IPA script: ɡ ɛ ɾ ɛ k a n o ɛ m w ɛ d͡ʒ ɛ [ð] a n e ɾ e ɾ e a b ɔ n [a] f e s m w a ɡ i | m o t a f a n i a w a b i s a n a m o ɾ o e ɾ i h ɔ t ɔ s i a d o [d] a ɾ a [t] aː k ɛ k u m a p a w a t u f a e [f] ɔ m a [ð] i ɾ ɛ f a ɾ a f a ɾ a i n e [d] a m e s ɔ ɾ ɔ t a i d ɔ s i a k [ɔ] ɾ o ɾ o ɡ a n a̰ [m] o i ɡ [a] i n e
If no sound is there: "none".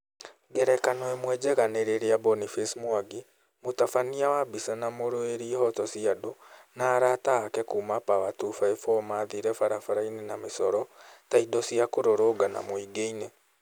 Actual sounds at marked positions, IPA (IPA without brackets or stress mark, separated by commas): ɣ, i, n, t, f, ð, n, o, m, e